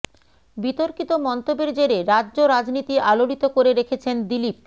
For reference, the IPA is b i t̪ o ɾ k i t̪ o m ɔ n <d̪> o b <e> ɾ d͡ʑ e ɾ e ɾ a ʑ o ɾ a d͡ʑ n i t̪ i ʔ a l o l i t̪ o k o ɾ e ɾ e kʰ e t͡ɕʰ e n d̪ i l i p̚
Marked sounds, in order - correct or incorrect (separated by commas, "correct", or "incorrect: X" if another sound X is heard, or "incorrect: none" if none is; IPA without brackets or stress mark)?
incorrect: t̪, correct